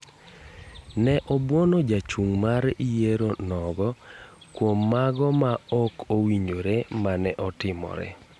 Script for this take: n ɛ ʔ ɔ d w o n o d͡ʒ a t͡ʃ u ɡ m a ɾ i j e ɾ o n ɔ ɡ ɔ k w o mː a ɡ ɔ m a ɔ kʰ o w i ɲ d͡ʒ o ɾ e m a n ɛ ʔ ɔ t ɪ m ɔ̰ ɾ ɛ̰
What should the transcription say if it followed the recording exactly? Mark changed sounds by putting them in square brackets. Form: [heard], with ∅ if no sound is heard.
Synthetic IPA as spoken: n ɛ ʔ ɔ [b] w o n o d͡ʒ a t͡ʃ u [ŋ] m a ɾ i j e ɾ o n ɔ ɡ ɔ k w o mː a ɡ ɔ m a ɔ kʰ o w i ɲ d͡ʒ o ɾ e m a n ɛ ʔ ɔ t ɪ m ɔ̰ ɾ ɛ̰